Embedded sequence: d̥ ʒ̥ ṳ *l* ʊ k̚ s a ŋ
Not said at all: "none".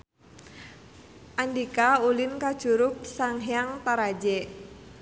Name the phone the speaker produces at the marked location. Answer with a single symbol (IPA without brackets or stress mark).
ɾ